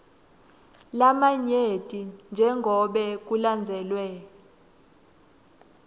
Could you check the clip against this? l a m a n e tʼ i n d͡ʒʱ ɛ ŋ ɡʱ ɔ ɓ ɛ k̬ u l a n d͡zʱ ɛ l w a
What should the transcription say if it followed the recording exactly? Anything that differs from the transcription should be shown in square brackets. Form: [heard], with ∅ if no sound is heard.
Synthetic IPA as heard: l a m a [ɲ] e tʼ i n d͡ʒʱ ɛ ŋ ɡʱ ɔ ɓ ɛ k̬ u l a n d͡zʱ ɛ l w [ɛ]